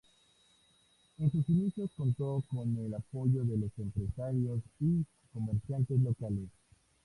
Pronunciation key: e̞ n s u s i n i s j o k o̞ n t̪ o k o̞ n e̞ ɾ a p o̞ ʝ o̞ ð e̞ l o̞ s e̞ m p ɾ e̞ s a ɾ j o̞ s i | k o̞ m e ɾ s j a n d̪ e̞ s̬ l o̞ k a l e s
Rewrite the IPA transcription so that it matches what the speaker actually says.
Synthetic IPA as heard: e̞ n s u s i n i s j o k o̞ n t̪ o k o̞ n e̞ l a p o̞ ʝ o̞ ð e̞ l o̞ s e̞ m p ɾ e̞ s a ɾ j o̞ s i | k o̞ m e ɾ s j a n t̪ e̞ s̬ l o̞ k a l e s